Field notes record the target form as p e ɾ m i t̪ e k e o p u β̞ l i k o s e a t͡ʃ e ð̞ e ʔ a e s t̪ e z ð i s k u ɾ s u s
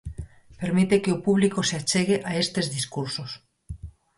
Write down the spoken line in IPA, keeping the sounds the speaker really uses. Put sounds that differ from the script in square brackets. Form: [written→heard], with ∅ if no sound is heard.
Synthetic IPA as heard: p e ɾ m i t̪ e k e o p u β̞ l i k o s e a t͡ʃ e [ð̞→ɣ̞] e ʔ a e s t̪ e z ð i s k u ɾ s [u→o] s